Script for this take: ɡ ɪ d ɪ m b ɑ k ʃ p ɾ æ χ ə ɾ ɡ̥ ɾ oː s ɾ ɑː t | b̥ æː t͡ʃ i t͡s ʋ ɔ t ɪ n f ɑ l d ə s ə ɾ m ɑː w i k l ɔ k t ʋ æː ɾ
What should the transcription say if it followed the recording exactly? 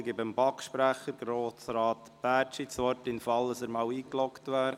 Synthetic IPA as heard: ɡ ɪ b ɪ m b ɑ k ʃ p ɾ æ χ ə ɾ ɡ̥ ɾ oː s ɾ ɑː t | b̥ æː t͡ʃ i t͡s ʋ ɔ t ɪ n f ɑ l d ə s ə ɾ m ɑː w iː k l ɔ k t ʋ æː ɾ